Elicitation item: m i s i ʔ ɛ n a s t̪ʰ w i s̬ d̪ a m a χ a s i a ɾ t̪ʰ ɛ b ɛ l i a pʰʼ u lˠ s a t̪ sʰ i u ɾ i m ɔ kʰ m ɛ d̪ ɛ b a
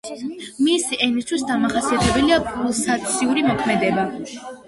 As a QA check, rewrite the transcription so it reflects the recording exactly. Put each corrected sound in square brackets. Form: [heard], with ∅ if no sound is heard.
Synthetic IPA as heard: m i s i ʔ ɛ n [i] s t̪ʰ w i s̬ d̪ a m a χ a s i a [∅] t̪ʰ ɛ b ɛ l i a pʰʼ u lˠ s a t̪ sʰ i u ɾ i m ɔ kʰ m ɛ d̪ ɛ b a